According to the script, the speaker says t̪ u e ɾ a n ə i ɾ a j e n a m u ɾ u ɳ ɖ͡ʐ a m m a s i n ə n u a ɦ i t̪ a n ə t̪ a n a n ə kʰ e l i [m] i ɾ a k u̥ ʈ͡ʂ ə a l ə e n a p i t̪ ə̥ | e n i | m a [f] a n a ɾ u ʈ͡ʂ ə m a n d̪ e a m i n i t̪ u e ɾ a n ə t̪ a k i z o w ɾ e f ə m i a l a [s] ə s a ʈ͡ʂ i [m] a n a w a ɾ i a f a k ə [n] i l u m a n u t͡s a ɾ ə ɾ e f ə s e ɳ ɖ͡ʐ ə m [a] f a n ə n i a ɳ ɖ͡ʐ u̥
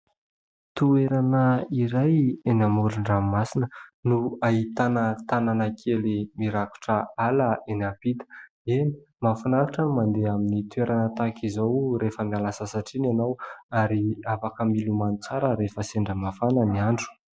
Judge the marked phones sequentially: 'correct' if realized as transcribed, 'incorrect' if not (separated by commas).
correct, correct, correct, incorrect, incorrect, correct